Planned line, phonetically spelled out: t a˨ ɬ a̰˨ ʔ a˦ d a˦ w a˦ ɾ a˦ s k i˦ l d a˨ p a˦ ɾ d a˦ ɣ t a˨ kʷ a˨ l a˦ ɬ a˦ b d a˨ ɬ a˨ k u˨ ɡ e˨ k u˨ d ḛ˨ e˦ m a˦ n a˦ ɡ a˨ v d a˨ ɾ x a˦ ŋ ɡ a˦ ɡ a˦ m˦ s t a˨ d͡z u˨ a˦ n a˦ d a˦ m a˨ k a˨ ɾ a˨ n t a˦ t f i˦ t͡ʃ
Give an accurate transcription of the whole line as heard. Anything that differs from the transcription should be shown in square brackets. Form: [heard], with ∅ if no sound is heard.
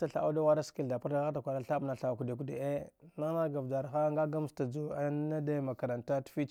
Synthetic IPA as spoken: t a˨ ɬ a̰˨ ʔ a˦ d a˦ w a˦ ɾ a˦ s k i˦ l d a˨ p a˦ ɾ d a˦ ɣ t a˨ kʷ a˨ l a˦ ɬ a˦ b [n] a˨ ɬ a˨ k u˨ [d] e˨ k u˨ d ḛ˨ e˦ [n] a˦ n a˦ ɡ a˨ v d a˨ ɾ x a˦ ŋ ɡ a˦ ɡ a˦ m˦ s t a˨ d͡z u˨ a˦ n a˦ d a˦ m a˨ k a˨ ɾ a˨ n t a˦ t f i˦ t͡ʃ